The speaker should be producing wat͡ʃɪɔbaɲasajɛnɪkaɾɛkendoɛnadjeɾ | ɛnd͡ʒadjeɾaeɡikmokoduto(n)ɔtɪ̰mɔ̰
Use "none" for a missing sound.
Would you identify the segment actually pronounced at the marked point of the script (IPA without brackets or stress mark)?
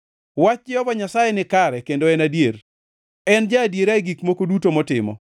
m